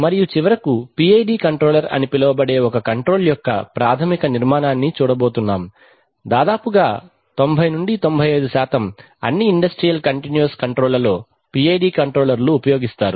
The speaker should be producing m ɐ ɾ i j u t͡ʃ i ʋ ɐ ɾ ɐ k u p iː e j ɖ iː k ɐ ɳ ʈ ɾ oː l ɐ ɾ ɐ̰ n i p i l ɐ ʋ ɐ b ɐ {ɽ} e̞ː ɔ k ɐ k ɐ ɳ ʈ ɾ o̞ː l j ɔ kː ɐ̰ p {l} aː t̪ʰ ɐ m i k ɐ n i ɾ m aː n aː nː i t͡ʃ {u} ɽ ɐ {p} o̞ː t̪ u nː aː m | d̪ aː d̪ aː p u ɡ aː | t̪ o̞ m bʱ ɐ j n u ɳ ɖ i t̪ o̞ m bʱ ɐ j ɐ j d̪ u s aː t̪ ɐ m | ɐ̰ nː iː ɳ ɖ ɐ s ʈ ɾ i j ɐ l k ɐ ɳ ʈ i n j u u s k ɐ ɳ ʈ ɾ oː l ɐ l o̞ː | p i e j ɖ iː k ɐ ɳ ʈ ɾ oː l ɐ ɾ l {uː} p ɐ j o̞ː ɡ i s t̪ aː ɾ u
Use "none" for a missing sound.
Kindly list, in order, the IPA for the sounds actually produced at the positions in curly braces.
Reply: ɽ, ɾ, uː, b, uː

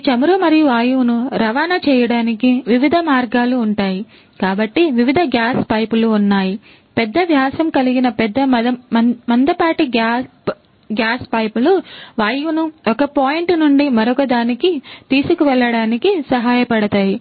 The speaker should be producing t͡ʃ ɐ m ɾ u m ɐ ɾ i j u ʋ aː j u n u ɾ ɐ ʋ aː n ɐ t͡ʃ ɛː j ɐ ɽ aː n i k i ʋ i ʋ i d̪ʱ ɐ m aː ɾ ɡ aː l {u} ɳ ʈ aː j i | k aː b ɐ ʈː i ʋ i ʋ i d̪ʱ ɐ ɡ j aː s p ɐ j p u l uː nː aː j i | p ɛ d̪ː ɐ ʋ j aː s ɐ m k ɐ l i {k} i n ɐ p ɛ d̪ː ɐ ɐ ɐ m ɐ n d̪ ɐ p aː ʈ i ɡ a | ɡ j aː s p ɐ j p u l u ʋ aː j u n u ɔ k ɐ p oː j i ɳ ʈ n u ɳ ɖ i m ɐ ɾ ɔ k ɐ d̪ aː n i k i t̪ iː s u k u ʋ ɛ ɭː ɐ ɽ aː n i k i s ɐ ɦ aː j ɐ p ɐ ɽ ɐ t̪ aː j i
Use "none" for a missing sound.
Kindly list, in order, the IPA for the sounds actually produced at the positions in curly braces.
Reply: uː, ɡ

